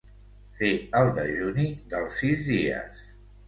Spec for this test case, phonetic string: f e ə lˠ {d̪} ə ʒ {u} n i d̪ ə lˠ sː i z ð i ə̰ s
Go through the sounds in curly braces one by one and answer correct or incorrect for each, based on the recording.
correct, correct

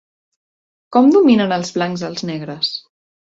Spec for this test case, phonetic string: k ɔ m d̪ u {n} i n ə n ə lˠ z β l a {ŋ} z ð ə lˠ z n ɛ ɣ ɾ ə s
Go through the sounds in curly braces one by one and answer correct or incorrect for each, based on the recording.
incorrect, correct

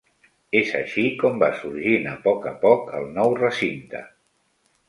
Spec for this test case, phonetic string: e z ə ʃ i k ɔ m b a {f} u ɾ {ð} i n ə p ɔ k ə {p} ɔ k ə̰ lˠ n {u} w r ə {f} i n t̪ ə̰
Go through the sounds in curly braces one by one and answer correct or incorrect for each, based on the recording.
incorrect, incorrect, correct, incorrect, incorrect

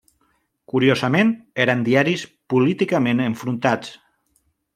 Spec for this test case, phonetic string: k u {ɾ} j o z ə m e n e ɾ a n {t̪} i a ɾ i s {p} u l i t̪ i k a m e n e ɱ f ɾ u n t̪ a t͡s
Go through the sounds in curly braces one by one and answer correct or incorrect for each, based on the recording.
correct, incorrect, correct

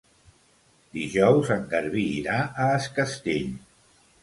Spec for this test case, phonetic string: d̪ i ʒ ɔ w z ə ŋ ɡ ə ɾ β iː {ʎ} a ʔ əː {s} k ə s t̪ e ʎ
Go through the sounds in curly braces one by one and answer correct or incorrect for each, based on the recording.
incorrect, correct

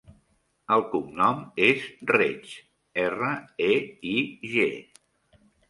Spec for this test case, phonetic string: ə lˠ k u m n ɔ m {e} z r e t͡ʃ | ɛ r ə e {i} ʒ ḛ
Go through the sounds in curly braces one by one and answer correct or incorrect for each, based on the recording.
correct, correct

